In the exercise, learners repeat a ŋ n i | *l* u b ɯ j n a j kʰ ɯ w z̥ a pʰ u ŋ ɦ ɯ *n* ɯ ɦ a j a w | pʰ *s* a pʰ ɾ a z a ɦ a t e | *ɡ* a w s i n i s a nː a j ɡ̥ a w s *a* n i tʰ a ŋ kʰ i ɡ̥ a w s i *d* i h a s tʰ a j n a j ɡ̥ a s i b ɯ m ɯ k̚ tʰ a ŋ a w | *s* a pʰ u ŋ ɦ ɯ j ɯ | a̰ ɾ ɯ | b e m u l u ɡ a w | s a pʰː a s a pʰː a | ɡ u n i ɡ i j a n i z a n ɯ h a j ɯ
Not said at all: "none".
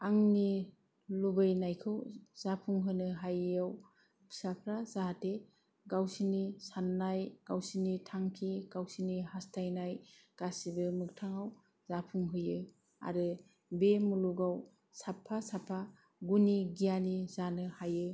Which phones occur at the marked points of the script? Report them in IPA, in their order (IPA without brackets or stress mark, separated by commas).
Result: l, n, s, ɡ, i, n, z